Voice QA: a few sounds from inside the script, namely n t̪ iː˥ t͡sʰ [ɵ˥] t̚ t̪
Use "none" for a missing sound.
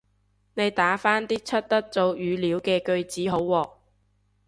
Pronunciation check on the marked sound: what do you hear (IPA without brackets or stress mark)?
ɵ˥